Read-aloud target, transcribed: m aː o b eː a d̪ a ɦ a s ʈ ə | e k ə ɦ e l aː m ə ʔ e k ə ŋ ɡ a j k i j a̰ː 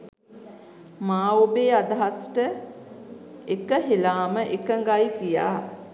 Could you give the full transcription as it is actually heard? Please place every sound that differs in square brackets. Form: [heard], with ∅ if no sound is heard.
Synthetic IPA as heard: m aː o b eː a d̪ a ɦ a s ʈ ə | e k ə ɦ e l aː m ə ʔ e k ə ŋ ɡ a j k i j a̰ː

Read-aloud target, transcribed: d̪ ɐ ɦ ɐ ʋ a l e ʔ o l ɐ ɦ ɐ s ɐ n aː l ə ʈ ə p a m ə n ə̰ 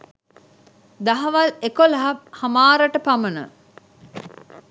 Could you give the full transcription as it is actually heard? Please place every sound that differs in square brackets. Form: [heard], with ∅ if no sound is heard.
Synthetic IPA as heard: d̪ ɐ ɦ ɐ ʋ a l e [k] o l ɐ ɦ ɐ [h] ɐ [m] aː [ɾ] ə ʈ ə p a m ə n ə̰

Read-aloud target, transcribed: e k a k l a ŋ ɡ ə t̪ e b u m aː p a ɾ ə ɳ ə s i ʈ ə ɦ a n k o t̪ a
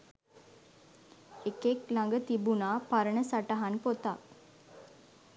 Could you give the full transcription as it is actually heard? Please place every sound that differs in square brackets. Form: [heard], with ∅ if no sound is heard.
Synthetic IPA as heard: e k [e] k l a ŋ ɡ ə t̪ [i] b u [n] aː p a ɾ ə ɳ ə s [a] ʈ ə ɦ a n [p] o t̪ a

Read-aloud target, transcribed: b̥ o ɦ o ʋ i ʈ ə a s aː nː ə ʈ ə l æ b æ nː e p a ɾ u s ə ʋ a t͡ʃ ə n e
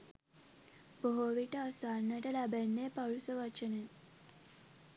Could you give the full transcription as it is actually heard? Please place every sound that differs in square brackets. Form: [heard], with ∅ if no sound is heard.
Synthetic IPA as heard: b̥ o ɦ o ʋ i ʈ ə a s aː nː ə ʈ ə l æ b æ nː e p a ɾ u s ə ʋ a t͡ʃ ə n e

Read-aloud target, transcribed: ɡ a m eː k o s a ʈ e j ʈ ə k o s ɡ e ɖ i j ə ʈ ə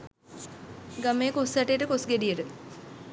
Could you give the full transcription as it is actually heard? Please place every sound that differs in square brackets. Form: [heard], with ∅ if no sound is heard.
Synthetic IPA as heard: ɡ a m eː k o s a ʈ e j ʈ ə k o s ɡ e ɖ i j ə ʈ ə

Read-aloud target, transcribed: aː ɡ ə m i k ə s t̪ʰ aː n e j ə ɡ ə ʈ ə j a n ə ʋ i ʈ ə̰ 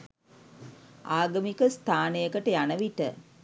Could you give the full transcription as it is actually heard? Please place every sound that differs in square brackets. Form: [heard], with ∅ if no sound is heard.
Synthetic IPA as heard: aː ɡ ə m i k ə s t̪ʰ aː n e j ə [k] ə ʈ ə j a n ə ʋ i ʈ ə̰

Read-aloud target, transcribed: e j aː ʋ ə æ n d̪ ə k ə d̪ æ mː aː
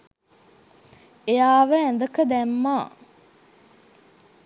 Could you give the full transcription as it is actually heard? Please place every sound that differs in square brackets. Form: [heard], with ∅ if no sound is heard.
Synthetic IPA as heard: e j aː ʋ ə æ n d̪ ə k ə d̪ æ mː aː

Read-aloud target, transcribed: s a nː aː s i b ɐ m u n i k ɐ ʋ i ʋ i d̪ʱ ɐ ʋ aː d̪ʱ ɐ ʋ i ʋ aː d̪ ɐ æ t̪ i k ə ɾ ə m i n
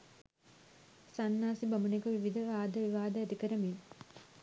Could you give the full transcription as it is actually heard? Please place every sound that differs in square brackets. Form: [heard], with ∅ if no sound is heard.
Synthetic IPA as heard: s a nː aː s i b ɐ m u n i k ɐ ʋ i ʋ i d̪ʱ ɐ ʋ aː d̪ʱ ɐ ʋ i ʋ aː d̪ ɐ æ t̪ i k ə ɾ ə m i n

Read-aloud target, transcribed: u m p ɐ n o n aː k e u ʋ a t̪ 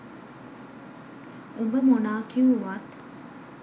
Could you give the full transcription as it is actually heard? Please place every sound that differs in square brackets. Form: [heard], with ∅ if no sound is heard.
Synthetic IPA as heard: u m [b] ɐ [m] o n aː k [i] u ʋ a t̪

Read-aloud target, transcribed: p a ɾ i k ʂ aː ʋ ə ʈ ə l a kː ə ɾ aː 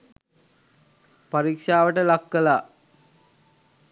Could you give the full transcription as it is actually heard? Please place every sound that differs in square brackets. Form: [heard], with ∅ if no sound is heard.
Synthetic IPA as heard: p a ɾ i k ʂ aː ʋ ə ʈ ə l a kː ə [l] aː

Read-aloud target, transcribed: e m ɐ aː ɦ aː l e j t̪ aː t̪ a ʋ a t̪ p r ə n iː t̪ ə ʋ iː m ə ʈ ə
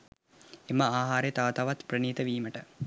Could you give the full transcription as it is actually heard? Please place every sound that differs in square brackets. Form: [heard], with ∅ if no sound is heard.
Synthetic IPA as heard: e m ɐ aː ɦ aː [ɾ] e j t̪ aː t̪ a ʋ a t̪ p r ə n iː t̪ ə ʋ iː m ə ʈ ə

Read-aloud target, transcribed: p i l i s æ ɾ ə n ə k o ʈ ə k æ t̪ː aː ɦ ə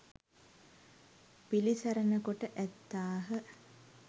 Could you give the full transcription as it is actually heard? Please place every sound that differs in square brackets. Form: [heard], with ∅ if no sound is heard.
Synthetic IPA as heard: p i l i s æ ɾ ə n ə k o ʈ ə [ʔ] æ t̪ː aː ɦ ə

